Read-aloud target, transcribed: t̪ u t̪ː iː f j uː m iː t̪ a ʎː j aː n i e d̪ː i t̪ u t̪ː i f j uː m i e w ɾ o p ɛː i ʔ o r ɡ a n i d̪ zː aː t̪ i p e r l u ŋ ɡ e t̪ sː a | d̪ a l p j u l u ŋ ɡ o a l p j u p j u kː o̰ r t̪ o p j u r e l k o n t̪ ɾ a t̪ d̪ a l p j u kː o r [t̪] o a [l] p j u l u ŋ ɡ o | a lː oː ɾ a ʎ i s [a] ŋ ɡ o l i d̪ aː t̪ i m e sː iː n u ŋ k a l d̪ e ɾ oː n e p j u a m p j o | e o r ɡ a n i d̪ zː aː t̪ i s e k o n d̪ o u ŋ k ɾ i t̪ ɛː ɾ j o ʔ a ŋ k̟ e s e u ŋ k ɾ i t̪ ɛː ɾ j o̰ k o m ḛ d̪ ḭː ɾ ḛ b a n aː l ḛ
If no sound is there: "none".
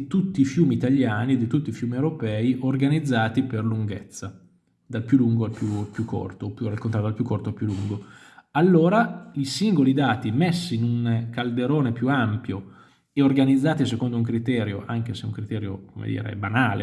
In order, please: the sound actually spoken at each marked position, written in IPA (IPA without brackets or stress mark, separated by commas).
t̪, l, i